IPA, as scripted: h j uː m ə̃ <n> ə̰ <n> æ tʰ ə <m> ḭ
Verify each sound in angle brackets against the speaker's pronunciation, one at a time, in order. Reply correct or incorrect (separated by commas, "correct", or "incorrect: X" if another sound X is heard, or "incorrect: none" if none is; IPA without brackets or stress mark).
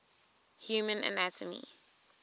correct, correct, correct